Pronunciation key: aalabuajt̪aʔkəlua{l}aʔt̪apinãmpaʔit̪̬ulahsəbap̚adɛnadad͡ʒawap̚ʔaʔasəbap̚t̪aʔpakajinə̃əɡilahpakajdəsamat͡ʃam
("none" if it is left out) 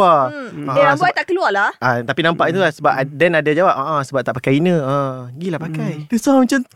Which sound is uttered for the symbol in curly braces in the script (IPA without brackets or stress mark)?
l